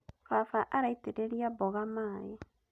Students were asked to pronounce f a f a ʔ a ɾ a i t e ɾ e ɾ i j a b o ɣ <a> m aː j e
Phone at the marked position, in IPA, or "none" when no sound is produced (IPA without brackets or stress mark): a